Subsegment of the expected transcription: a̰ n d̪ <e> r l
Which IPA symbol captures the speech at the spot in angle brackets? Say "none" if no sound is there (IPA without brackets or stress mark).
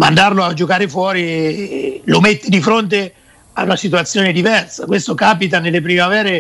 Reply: a